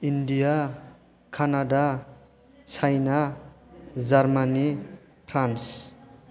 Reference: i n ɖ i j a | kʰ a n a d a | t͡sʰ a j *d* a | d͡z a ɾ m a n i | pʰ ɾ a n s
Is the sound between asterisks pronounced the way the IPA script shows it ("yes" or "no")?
no